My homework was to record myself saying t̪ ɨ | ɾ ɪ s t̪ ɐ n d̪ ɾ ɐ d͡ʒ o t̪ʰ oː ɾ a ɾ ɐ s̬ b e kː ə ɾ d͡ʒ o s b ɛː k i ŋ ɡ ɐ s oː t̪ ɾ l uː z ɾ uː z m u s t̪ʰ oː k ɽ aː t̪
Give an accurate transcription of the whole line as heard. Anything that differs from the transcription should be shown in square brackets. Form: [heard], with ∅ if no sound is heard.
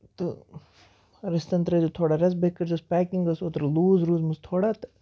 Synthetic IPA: t̪ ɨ | ɾ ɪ s t̪ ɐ n [t̪] ɾ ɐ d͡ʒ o t̪ʰ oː [ɽ] a ɾ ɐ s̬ b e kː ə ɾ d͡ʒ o s [p] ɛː k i ŋ ɡ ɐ s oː t̪ ɾ l uː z ɾ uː z m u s t̪ʰ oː [∅] ɽ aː t̪